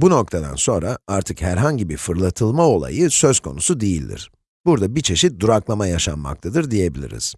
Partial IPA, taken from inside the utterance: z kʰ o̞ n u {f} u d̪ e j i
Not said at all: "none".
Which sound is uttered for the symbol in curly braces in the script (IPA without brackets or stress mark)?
s